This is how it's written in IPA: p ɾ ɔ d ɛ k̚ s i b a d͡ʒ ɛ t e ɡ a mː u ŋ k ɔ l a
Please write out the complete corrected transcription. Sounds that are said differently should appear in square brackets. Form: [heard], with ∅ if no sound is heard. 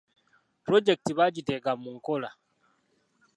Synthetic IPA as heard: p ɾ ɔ [d͡ʒ] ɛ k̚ [t] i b a d͡ʒ [i] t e ɡ a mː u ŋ k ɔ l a